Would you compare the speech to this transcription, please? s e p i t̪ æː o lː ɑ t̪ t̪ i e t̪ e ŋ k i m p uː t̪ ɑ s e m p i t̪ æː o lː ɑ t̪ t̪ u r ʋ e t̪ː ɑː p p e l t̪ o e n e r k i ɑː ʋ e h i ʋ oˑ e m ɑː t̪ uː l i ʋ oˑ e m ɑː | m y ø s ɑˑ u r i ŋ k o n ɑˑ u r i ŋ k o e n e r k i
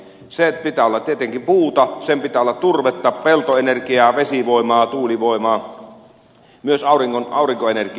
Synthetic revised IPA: s e p i t̪ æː o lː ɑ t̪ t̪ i e t̪ e ŋ k i m p uː t̪ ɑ s e m p i t̪ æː o lː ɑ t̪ t̪ u r ʋ e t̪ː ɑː p p e l t̪ o e n e r k i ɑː ʋ e s i ʋ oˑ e m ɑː t̪ uː l i ʋ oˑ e m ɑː | m y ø s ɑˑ u r i ŋ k o n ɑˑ u r i ŋ k o e n e r k i